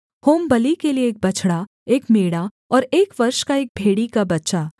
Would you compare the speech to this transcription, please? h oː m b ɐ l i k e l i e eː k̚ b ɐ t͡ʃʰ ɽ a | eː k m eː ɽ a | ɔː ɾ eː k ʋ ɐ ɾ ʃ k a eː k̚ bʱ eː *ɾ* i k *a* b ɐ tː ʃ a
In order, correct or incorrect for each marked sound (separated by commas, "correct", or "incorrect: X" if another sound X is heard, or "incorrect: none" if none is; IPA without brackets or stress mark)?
incorrect: ɽ, correct